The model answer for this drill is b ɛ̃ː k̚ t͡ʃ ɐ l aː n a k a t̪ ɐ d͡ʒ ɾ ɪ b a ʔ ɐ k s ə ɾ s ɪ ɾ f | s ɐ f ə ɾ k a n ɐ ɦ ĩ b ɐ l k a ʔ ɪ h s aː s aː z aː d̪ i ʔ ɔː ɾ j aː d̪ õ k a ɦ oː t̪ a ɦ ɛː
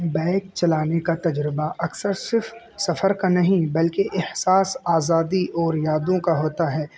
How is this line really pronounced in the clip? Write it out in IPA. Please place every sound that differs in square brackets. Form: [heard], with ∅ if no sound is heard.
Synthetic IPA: b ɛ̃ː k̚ t͡ʃ ɐ l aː n [e] k a t̪ ɐ d͡ʒ ɾ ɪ b a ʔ ɐ k s ə ɾ s ɪ ɾ f | s ɐ f ə ɾ k a n ɐ ɦ ĩ b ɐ l k [e] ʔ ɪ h s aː s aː z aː d̪ i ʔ ɔː ɾ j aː d̪ õ k a ɦ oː t̪ a ɦ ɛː